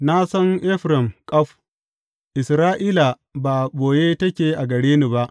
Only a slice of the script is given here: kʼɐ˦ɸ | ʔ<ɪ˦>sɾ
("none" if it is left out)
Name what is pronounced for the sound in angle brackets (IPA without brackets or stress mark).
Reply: ɪ˨